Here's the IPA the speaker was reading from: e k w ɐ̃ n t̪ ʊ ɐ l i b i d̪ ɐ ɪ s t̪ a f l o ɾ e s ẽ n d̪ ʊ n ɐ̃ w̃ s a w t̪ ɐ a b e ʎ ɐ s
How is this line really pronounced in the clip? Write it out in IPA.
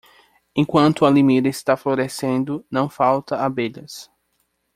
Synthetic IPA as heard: ẽ k w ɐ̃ n t̪ ʊ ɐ l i m i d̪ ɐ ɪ s t̪ a f l o ɾ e s ẽ n d̪ ʊ n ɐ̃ w̃ f a w t̪ ɐ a b e ʎ ɐ s